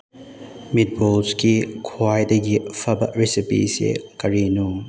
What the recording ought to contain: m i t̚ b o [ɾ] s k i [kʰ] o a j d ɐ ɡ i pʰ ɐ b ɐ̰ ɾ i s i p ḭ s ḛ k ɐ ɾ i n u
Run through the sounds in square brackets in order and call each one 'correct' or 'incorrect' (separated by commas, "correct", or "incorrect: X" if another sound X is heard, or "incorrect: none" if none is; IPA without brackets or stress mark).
incorrect: l, correct